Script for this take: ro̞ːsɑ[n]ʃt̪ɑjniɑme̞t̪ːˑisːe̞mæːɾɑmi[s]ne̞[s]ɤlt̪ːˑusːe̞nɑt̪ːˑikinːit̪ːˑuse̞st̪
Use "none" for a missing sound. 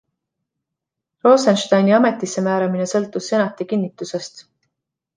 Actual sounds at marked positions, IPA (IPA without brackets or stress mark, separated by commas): n, none, s